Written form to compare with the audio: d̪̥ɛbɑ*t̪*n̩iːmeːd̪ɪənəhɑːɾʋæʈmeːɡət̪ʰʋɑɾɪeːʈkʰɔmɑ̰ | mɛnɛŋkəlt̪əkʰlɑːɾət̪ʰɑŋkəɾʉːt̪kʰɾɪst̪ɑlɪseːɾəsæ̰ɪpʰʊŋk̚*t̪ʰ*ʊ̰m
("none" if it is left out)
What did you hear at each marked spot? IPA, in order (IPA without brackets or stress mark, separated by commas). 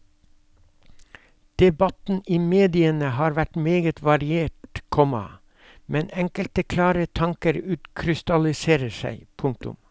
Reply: t̪, t̪